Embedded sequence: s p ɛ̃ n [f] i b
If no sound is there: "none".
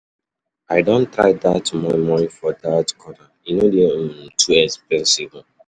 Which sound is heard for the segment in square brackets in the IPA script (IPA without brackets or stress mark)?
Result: s